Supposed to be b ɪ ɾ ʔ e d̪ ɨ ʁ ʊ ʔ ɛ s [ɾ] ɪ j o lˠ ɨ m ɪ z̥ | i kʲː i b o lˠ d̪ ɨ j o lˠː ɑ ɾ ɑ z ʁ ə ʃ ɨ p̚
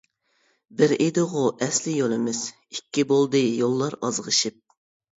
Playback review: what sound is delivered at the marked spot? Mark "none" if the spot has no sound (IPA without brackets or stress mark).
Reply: l